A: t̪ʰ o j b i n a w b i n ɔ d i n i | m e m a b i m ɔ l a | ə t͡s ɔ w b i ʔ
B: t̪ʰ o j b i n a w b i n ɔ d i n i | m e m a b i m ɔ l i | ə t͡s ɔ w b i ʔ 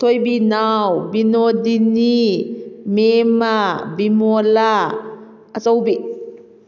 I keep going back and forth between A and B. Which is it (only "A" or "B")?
A